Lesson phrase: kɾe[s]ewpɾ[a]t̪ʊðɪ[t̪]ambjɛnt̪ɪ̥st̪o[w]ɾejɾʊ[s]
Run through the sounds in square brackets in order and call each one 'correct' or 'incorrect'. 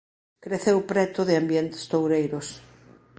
incorrect: θ, incorrect: ɛ, incorrect: none, correct, correct

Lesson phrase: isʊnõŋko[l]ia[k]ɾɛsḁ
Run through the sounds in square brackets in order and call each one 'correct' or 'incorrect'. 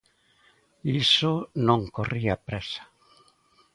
incorrect: r, incorrect: p

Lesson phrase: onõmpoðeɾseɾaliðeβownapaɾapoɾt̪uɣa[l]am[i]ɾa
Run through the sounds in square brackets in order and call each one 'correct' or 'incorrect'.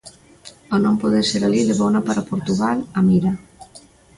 correct, correct

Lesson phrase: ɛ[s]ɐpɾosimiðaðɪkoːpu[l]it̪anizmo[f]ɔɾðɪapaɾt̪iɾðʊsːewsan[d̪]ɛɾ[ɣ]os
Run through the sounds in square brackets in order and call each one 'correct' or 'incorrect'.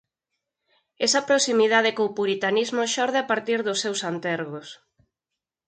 correct, incorrect: ɾ, incorrect: ʃ, incorrect: t̪, correct

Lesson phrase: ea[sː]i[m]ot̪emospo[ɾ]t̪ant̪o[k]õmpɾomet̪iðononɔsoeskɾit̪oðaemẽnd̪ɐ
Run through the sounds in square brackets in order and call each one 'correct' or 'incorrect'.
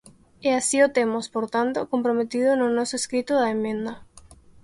incorrect: s, incorrect: none, correct, correct

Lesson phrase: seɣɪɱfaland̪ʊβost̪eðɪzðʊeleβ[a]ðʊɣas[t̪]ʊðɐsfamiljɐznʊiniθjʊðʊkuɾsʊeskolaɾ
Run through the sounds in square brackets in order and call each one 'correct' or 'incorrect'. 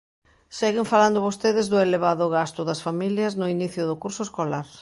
correct, correct

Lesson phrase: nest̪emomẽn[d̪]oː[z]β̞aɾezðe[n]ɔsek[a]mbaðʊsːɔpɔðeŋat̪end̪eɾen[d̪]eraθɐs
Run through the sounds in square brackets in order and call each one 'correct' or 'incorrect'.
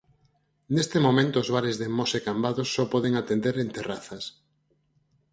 incorrect: t̪, correct, incorrect: m, correct, incorrect: t̪

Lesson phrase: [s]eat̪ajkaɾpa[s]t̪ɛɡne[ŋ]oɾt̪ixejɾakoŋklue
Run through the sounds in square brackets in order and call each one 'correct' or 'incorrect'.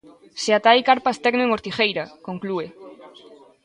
correct, correct, correct

